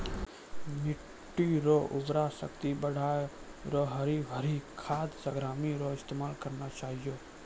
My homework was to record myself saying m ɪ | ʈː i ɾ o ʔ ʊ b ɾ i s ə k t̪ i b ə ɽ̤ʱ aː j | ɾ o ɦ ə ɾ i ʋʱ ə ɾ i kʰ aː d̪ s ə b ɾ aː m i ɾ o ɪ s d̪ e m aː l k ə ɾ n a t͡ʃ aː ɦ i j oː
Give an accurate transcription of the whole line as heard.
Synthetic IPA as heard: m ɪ | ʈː i ɾ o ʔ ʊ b ɾ a s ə k t̪ i b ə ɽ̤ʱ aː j | ɾ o ɦ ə ɾ i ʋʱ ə ɾ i kʰ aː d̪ s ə ɡ ɾ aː m i ɾ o ɪ s t̪ e m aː l k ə ɾ n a t͡ʃ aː ɦ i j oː